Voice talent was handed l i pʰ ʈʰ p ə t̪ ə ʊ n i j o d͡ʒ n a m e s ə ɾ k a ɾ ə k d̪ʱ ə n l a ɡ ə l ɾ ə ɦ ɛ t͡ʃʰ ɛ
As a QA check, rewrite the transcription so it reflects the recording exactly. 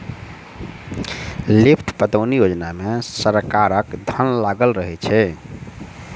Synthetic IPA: l i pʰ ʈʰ p ə t̪ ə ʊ n i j o d͡ʒ n a m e s ə ɾ k a ɾ ə k d̪ʱ ə n l a ɡ ə l ɾ ə ɦ ɛ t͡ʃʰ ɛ